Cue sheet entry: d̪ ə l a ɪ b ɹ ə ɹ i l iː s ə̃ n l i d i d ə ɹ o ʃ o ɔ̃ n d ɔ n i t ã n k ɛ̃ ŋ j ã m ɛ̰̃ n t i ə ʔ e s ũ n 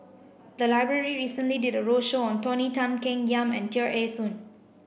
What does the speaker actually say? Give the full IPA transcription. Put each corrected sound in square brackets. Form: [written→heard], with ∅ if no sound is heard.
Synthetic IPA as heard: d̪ ə l a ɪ b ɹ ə ɹ i [l→ɹ] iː s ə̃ n l i d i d ə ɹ o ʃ o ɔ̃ n [d→t] ɔ n i t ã n k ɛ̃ ŋ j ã m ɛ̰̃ n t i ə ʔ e s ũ n